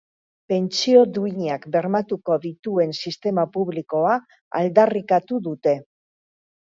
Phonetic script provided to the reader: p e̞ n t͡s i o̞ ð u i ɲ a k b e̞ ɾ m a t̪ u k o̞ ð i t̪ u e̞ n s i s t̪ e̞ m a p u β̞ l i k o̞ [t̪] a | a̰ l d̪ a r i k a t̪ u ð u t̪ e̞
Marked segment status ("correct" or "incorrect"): incorrect